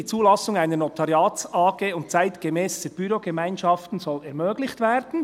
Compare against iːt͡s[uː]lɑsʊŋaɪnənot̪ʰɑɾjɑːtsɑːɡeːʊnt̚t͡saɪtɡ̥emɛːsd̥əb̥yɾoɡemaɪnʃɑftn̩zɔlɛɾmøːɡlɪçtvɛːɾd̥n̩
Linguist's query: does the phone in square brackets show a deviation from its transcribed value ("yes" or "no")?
no